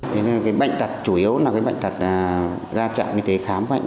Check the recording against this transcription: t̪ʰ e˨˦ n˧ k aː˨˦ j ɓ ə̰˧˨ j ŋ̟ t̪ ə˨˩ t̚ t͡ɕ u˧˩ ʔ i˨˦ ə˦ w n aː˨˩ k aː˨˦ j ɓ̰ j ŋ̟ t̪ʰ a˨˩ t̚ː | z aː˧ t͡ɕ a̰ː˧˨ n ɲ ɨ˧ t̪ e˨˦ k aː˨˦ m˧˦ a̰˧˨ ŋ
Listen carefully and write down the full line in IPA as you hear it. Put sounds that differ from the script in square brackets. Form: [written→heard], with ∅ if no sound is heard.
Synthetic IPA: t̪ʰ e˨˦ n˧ k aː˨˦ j ɓ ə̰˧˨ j ŋ̟ t̪ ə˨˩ t̚ t͡ɕ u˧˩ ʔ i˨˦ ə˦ w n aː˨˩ k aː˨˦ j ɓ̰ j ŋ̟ [t̪ʰ→t̪] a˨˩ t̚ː | z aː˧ t͡ɕ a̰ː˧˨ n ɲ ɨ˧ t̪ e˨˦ [k→x] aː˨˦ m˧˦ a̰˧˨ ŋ